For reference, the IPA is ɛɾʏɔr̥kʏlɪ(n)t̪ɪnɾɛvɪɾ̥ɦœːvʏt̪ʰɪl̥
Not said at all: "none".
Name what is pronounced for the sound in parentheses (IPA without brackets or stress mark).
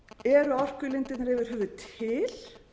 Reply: n